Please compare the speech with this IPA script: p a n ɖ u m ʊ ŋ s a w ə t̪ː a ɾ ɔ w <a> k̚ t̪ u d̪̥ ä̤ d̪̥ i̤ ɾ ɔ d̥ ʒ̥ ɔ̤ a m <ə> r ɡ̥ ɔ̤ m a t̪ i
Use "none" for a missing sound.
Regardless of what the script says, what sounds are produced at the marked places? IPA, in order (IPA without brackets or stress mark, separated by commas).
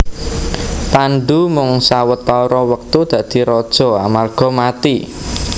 ə, a